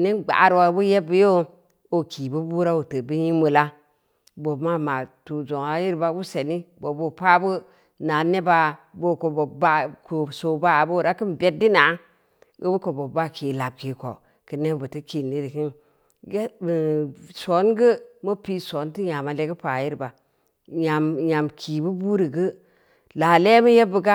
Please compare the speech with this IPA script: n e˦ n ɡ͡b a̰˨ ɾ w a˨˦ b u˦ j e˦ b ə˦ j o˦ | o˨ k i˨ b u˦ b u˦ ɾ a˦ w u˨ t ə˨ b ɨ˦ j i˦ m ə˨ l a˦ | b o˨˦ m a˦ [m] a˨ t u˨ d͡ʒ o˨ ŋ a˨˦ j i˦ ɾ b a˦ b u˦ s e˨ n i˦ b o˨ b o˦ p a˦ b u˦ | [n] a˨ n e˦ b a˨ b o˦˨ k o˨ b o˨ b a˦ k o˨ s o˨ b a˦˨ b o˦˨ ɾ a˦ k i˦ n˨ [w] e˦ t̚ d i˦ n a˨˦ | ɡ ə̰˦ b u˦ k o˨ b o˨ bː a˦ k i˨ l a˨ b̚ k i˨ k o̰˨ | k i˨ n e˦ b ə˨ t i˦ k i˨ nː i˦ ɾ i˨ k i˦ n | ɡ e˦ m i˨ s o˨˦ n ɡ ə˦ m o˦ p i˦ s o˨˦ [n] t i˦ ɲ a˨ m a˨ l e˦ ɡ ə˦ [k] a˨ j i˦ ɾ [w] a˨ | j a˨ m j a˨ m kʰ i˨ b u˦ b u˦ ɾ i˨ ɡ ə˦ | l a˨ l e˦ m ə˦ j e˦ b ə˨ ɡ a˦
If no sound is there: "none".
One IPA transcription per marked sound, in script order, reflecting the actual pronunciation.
m, n, b, n, p, b

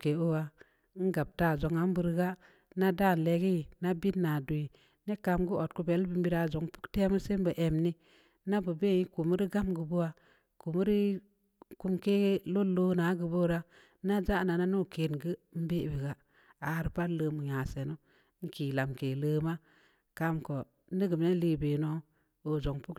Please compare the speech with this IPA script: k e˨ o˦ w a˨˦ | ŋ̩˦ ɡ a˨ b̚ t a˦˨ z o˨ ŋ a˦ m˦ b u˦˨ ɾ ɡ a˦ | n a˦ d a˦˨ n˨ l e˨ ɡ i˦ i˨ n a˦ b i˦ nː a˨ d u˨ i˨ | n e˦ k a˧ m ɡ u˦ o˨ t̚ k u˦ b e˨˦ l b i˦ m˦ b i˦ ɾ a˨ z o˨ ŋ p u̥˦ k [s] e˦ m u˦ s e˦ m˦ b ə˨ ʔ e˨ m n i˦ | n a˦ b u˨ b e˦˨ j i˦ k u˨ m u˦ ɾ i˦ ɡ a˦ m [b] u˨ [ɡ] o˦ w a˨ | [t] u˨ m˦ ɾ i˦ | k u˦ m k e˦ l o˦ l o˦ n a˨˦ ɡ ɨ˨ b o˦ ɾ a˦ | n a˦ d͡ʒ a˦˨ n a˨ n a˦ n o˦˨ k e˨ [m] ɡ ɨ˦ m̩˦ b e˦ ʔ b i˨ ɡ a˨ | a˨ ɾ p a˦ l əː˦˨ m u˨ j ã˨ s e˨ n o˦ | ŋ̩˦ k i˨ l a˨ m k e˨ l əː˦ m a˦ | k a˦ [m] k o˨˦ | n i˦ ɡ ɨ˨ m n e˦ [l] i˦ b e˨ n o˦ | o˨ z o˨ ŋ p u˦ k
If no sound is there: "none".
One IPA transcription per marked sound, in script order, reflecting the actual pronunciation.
t, ɡ, b, k, n, m, l

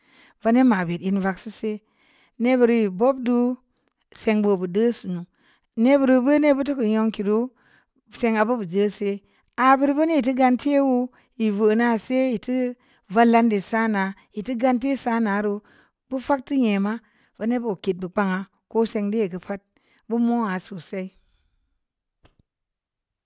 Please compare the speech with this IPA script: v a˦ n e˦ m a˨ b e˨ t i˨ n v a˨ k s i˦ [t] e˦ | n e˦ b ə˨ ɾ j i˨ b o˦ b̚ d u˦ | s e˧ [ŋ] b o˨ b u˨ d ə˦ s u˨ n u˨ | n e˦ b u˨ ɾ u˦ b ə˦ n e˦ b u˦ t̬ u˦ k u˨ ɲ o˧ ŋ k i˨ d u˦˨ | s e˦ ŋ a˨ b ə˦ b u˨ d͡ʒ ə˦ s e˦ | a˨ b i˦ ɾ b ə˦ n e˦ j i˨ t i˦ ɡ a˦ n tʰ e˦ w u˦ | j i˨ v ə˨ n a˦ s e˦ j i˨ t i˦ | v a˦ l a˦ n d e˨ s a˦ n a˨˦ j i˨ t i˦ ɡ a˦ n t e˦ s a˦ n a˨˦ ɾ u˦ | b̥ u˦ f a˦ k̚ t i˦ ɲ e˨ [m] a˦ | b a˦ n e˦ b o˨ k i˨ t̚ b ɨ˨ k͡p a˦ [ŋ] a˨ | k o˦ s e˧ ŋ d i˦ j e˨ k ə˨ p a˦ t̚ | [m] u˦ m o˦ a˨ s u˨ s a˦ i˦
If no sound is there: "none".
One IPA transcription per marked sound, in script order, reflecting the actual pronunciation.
s, ŋ, m, ŋ, b

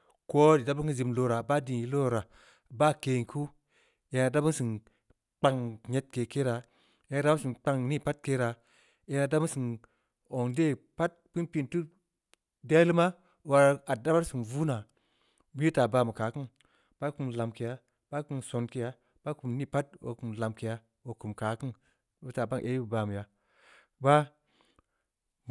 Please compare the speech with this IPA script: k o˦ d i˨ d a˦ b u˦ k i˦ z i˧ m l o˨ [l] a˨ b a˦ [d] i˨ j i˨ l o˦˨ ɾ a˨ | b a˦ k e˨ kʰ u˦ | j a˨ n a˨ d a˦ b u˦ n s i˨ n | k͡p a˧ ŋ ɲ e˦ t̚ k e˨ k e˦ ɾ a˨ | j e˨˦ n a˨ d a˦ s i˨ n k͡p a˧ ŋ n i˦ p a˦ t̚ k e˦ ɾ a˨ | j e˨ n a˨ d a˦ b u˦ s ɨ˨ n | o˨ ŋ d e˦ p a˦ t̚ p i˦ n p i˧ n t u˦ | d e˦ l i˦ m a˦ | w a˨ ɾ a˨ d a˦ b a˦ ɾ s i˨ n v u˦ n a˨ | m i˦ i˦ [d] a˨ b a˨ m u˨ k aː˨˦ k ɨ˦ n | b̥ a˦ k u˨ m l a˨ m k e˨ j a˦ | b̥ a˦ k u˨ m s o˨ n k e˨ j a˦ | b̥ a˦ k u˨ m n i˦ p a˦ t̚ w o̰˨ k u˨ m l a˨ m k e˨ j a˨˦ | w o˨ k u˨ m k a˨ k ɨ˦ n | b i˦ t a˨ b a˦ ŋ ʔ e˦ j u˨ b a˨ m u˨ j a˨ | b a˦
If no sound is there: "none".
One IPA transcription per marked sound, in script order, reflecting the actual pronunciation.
ɾ, d, t

